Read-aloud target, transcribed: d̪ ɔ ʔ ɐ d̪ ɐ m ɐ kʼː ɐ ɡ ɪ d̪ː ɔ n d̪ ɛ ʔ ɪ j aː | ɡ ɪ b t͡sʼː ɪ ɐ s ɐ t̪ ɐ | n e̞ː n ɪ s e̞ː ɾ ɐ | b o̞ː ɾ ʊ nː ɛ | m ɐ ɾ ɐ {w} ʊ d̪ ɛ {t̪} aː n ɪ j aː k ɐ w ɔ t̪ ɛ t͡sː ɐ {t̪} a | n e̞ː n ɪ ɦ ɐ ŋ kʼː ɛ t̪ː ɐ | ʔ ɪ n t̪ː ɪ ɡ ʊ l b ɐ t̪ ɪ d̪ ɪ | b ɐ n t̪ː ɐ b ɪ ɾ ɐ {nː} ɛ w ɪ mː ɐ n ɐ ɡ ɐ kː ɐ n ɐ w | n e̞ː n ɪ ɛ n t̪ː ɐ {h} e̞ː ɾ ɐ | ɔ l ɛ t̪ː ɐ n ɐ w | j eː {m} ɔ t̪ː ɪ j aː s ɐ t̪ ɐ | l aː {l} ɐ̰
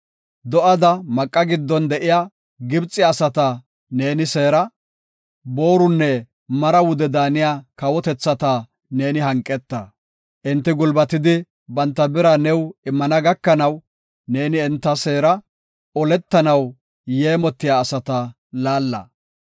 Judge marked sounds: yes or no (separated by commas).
yes, no, yes, no, no, yes, no